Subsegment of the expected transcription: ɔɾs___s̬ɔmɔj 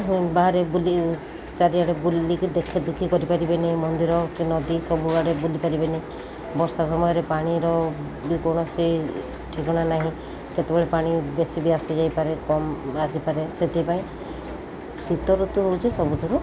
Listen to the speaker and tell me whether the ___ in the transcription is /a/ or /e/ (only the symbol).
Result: a